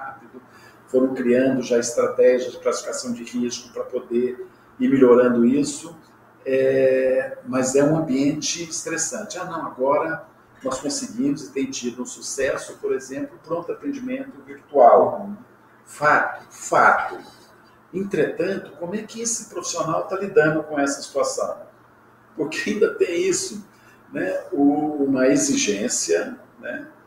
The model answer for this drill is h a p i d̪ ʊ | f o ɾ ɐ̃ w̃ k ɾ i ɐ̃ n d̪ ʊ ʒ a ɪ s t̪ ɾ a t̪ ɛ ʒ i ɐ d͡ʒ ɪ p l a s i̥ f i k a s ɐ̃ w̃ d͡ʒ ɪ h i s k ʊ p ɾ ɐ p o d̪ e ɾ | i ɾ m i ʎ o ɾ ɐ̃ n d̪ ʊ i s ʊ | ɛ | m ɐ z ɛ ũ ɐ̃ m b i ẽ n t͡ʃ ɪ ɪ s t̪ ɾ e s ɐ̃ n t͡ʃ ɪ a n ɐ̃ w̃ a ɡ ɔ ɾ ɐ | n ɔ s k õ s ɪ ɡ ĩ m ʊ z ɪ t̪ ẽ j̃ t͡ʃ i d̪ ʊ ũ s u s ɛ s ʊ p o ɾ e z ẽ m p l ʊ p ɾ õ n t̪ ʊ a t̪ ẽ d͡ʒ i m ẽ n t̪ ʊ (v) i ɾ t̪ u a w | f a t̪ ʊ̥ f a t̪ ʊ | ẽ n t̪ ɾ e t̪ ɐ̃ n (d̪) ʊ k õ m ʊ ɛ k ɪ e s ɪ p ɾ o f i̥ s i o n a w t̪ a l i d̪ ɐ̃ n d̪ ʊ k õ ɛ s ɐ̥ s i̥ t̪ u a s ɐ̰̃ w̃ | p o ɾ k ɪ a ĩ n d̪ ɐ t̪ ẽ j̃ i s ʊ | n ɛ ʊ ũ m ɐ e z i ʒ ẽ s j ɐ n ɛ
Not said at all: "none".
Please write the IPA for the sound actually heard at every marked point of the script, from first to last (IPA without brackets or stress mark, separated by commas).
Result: v, t̪